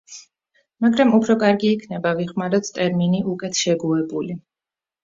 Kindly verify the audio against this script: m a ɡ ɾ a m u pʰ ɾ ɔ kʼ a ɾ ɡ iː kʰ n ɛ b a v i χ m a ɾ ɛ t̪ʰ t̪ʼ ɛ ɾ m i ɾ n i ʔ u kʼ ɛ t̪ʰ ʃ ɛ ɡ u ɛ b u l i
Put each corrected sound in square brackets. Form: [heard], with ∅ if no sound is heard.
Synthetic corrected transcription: m a ɡ ɾ a m u pʰ ɾ ɔ kʼ a ɾ ɡ iː kʰ n ɛ b a v i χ m a ɾ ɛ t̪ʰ t̪ʼ ɛ ɾ m i [∅] n i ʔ u kʼ ɛ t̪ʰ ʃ ɛ ɡ u ɛ b u l i